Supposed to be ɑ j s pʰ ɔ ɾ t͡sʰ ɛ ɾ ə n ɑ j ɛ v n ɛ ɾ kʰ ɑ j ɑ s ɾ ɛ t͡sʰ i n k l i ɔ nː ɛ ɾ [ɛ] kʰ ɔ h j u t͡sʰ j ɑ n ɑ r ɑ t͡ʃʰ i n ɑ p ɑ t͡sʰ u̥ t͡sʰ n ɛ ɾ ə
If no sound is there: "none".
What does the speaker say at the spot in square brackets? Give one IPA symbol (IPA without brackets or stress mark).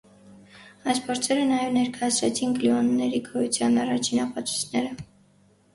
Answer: i